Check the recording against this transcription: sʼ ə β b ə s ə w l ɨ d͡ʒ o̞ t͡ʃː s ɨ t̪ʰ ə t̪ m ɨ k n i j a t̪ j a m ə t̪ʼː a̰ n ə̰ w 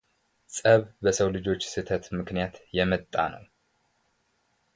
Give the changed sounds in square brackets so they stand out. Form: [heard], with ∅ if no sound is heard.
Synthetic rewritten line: sʼ ə β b ə s ə w l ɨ d͡ʒ o̞ t͡ʃː s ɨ t̪ʰ ə t̪ m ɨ k n i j a t̪ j [ɛ] m ə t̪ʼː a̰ n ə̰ w